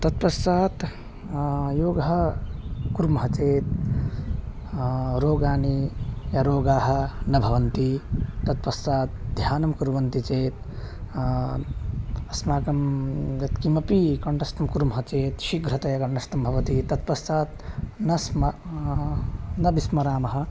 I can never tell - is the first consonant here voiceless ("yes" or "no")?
yes